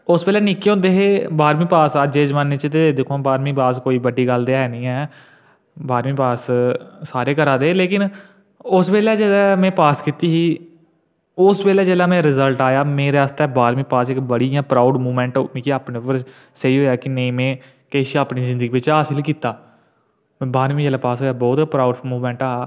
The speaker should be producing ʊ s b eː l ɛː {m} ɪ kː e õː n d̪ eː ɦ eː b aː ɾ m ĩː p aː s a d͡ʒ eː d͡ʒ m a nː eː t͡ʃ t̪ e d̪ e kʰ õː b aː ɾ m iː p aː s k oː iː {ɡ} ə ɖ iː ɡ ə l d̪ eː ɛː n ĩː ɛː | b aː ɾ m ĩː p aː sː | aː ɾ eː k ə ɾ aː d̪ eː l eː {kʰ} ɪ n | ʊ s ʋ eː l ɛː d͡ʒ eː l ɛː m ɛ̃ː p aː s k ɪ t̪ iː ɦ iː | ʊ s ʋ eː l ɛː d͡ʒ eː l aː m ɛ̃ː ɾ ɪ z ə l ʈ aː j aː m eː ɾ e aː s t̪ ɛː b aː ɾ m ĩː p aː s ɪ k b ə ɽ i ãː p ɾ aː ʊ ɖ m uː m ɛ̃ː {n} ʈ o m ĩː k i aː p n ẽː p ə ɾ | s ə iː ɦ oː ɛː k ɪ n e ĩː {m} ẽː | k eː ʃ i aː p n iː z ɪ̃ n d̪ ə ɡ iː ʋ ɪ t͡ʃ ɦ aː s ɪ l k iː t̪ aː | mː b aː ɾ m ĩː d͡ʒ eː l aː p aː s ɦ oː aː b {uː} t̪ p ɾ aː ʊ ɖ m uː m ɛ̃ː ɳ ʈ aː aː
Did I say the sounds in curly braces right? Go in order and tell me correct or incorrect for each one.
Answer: incorrect: n, incorrect: b, incorrect: k, incorrect: ɳ, correct, incorrect: ɔː

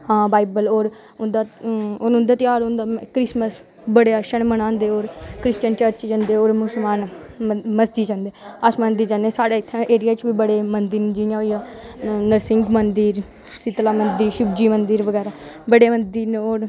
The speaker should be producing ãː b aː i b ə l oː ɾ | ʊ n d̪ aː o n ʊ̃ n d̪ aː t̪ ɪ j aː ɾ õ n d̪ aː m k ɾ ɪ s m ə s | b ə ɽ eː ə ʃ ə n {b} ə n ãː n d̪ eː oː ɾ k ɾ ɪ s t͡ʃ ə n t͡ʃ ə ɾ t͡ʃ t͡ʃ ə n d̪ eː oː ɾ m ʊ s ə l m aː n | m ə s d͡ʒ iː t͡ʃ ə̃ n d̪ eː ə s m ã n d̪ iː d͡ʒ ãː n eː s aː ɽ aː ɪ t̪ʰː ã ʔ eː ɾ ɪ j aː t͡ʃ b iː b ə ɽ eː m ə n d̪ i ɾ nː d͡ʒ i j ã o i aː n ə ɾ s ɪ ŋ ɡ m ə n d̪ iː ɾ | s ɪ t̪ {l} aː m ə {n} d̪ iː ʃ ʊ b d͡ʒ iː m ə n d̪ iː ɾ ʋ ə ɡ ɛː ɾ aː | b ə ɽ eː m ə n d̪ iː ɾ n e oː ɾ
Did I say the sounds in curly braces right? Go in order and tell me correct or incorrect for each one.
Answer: incorrect: m, correct, correct

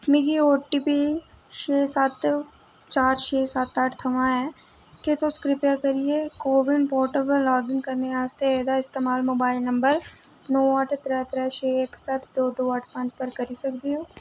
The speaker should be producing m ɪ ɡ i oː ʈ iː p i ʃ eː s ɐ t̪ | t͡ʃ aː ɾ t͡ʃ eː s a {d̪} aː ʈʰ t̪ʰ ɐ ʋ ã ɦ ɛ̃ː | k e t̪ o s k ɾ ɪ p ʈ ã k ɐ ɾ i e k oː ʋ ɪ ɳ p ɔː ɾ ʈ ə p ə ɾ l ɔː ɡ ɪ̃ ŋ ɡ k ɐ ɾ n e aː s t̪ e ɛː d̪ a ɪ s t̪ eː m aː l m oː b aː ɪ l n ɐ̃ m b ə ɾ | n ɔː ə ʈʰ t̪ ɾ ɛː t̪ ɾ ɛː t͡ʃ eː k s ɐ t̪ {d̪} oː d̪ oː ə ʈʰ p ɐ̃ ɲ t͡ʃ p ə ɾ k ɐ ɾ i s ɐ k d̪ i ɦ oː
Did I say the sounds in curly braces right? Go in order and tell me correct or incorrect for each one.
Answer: incorrect: t̪, correct

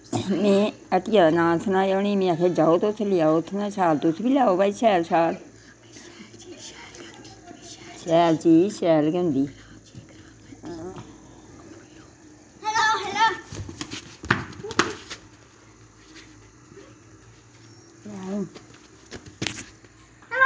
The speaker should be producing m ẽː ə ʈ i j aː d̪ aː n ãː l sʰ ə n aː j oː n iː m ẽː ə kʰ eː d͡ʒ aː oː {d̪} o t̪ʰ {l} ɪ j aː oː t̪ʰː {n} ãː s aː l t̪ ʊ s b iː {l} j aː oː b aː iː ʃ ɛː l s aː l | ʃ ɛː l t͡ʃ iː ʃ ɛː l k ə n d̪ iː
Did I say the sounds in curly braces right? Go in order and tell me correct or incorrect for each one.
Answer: incorrect: t̪, correct, correct, correct

